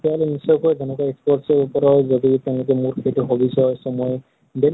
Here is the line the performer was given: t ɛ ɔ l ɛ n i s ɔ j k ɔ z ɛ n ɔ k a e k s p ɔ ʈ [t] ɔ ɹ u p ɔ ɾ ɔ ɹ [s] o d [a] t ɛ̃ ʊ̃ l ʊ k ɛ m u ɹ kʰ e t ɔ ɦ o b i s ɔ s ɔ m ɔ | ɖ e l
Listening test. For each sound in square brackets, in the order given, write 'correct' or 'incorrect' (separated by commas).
incorrect, incorrect, incorrect